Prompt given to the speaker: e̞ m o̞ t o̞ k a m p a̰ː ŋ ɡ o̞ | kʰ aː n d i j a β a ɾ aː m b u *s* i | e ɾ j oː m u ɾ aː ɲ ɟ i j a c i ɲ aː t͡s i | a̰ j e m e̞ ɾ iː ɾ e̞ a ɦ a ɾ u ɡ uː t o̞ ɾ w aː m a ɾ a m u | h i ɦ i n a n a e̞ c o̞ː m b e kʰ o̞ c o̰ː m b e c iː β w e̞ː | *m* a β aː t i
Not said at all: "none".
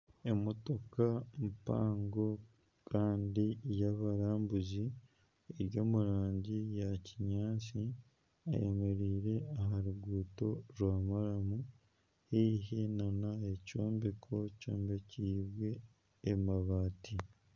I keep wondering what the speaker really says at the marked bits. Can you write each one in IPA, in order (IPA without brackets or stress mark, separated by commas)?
z, m